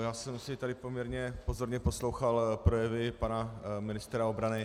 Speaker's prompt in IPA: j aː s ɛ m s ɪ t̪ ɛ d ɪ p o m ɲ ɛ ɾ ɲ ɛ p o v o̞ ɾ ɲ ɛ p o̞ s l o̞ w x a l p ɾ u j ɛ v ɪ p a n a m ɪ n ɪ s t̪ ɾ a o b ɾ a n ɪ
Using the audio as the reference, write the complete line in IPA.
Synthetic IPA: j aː s ɛ m s ɪ t̪ a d ɪ p o m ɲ ɛ ɾ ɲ ɛ p o z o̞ ɾ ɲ ɛ p o̞ s l o̞ w x a l p ɾ o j ɛ v ɪ p a n a m ɪ n ɪ s t̪ ɾ a o b ɾ a n ɪ